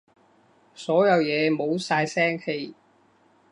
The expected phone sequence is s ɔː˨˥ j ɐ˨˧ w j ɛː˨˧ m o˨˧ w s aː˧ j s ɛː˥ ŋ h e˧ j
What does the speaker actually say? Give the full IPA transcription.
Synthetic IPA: s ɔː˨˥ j ɐ˨˧ w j ɛː˨˧ m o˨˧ w s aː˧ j s ɛː˥ ŋ h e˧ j